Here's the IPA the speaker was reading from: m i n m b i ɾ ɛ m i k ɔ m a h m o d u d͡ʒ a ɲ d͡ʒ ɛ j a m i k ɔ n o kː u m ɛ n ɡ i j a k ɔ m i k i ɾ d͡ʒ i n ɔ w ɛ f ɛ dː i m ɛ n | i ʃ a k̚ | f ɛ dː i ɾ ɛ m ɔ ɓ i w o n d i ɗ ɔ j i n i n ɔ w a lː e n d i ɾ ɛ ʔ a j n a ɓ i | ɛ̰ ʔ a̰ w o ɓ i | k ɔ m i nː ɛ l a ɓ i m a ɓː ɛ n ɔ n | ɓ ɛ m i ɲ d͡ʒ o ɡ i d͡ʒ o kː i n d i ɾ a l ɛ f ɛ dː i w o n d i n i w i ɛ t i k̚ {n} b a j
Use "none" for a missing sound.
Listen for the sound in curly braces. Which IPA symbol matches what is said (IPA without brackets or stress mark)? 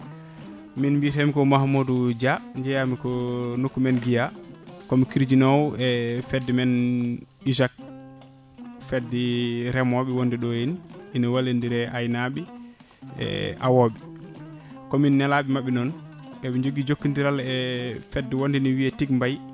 m